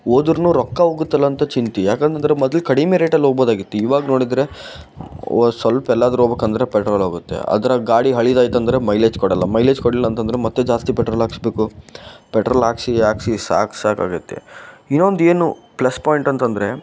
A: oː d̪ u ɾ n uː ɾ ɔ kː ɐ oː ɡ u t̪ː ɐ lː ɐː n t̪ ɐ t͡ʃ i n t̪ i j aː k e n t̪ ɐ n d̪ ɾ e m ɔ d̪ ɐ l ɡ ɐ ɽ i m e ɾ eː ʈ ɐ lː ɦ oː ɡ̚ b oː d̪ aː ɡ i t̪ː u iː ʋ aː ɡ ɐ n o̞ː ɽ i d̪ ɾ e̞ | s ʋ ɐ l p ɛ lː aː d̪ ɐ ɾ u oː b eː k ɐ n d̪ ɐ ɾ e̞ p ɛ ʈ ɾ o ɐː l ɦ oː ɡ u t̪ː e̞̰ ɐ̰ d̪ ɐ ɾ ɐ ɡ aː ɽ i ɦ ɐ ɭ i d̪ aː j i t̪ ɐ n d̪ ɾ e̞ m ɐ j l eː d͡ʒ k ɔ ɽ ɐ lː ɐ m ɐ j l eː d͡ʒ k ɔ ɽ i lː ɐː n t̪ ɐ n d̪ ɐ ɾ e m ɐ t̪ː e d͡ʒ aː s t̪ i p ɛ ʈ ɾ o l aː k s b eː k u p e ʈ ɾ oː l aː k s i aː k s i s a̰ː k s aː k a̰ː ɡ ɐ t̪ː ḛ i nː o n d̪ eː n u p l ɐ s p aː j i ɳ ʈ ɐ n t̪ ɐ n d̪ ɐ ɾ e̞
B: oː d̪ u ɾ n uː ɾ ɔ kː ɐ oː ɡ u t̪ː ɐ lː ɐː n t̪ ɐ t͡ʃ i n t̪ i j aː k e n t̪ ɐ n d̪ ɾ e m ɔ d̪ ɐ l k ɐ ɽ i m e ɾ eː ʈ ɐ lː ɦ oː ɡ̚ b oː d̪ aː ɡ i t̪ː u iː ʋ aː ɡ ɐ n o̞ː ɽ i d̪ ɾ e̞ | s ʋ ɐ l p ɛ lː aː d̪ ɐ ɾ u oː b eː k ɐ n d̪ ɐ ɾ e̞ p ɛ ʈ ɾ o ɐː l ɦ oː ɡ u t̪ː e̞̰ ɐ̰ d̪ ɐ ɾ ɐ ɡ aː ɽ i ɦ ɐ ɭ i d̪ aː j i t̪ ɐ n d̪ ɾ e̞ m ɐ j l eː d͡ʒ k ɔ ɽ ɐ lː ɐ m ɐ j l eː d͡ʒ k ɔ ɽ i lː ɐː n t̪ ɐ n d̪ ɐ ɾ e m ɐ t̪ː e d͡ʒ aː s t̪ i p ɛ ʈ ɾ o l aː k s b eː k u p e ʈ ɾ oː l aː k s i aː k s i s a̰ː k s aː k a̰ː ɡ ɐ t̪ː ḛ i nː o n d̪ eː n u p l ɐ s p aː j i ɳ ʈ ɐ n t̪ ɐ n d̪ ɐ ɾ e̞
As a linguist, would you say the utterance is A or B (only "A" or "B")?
B